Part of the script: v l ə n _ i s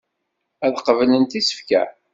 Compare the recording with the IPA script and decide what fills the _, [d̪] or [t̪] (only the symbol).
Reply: t̪